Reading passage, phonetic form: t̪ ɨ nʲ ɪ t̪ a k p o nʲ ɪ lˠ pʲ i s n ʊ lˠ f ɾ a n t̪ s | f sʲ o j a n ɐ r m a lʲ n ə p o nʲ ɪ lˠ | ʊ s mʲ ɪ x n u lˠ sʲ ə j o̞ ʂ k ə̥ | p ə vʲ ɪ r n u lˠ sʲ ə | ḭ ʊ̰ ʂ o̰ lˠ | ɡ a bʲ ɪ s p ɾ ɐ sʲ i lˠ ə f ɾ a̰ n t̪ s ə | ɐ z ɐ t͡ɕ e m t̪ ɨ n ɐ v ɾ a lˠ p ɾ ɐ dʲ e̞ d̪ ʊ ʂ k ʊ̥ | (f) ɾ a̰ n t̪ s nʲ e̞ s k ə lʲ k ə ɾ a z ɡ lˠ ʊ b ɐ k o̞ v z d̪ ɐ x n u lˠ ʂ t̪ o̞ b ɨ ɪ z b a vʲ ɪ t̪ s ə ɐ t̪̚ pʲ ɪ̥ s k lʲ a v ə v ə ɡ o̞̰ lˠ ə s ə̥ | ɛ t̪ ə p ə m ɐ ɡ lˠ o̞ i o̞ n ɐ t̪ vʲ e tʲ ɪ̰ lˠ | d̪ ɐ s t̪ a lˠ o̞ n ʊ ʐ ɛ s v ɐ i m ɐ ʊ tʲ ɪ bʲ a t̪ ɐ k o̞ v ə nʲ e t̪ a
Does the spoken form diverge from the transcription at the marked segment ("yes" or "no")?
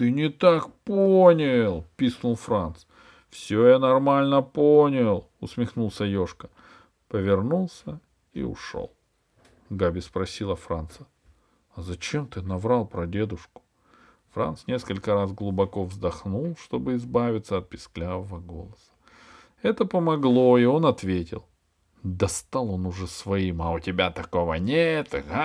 no